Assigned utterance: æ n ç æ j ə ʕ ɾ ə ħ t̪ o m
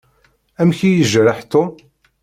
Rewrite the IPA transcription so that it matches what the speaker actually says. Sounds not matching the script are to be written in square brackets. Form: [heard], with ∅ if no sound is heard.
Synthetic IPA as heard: æ [m] ç [i] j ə [ʒ] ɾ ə ħ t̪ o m